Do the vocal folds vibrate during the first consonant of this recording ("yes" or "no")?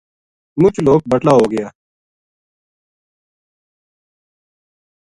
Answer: yes